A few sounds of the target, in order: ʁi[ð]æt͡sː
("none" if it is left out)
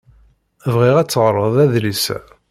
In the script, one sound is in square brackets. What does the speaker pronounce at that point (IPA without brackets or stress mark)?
ʁ